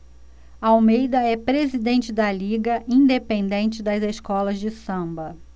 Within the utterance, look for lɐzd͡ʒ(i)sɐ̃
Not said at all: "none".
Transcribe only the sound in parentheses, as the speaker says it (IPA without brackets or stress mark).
ɪ